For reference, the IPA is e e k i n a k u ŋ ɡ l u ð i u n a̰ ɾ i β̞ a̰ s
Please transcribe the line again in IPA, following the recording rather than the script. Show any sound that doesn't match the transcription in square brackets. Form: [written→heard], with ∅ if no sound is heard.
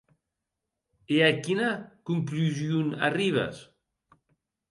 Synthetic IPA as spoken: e [e→a] k i n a k u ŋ [ɡ→k] l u [ð→z] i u n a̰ [ɾ→r] i β̞ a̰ s